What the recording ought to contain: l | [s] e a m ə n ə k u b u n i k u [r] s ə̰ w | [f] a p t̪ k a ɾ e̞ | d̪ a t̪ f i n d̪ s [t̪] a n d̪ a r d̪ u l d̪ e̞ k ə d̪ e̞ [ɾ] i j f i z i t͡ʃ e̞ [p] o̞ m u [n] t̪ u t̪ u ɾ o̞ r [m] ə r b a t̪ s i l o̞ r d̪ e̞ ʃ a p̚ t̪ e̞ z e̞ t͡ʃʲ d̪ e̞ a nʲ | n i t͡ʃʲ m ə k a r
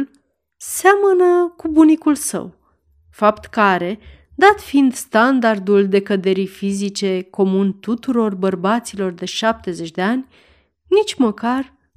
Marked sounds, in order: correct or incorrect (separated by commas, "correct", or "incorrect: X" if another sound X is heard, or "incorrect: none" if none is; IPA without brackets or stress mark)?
correct, incorrect: l, correct, correct, correct, incorrect: k, correct, incorrect: b